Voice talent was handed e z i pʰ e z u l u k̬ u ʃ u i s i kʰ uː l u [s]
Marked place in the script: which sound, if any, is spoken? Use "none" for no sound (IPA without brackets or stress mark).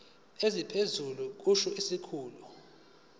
none